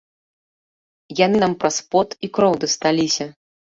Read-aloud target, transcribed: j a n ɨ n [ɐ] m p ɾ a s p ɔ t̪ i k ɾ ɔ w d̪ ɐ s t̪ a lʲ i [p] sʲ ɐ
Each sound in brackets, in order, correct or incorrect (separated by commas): incorrect, incorrect